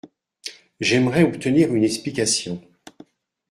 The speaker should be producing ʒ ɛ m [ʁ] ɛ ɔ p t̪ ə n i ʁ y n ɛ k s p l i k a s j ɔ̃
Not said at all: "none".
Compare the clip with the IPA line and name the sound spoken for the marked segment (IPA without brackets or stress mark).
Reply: ʁ